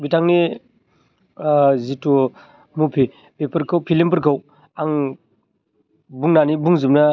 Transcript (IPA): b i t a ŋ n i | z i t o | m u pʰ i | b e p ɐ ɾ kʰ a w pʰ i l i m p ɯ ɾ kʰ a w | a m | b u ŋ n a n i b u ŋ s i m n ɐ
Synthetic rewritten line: b i t a ŋ n i | z i t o | m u pʰ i | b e p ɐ ɾ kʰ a w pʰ i l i m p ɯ ɾ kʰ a w | a ŋ | b u ŋ n a n i b u ŋ z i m n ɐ